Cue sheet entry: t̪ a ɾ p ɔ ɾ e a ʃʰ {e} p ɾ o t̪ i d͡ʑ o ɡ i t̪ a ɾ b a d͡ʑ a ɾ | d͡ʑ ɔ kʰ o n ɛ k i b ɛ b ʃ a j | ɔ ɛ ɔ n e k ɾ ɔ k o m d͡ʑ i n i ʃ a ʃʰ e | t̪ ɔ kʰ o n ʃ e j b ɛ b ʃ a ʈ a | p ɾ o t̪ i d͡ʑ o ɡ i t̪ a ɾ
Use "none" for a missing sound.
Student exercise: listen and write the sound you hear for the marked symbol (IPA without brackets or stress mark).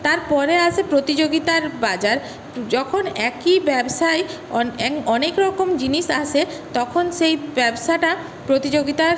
e